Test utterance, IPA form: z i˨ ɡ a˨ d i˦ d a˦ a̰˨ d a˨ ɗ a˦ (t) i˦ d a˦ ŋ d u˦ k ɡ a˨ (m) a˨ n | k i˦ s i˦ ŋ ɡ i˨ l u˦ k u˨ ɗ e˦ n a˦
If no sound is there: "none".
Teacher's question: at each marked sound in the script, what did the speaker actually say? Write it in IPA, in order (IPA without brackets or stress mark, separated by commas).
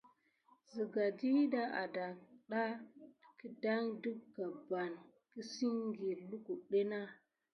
k, b